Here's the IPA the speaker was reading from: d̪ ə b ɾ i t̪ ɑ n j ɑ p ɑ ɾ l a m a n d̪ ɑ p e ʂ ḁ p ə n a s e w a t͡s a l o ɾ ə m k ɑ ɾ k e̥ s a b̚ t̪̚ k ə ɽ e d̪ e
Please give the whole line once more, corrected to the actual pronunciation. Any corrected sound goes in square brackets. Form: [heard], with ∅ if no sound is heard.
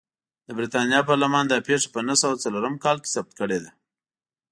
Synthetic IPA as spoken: d̪ ə b ɾ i t̪ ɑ n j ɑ p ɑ ɾ l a m [ɑ] n d̪ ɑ p e ʂ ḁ p ə n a s [a] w a t͡s a l o ɾ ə m k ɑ [l] k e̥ s a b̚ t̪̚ k ə ɽ e d̪ [a]